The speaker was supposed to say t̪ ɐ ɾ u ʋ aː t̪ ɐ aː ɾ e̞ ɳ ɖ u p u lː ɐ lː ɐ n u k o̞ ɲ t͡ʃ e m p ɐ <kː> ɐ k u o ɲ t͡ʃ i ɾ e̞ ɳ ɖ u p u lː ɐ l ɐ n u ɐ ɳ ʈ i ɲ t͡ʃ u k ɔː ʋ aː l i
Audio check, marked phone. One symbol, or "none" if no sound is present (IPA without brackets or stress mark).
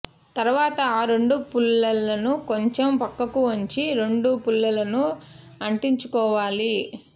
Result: kː